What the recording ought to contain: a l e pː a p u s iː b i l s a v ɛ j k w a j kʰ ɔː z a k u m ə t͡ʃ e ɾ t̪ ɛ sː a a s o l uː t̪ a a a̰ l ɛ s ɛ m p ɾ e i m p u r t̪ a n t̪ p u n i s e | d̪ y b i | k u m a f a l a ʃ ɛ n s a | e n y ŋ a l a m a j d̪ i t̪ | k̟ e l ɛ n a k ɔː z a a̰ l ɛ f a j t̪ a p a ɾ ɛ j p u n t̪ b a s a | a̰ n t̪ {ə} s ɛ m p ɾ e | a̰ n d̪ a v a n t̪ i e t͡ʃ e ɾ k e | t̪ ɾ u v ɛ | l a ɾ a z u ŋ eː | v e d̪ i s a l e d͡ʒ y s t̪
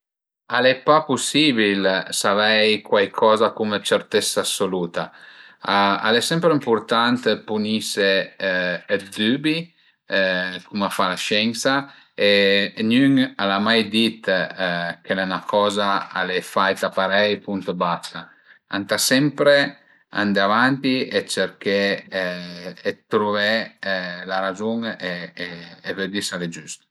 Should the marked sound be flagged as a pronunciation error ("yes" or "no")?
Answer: yes